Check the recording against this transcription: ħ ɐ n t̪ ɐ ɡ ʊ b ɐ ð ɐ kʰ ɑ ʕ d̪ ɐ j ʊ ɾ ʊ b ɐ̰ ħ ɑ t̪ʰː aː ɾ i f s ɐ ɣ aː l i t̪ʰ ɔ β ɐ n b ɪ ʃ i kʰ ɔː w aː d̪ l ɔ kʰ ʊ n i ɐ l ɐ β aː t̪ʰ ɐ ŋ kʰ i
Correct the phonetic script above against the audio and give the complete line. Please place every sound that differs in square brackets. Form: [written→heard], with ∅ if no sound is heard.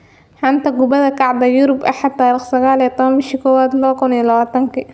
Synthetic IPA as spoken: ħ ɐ n t̪ ɐ ɡ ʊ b ɐ ð ɐ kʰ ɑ ʕ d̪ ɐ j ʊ ɾ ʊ b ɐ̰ ħ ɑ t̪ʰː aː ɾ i [f→χ] s ɐ ɣ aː l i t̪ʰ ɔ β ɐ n b ɪ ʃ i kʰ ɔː w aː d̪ l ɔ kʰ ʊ n i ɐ l ɐ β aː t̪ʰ ɐ ŋ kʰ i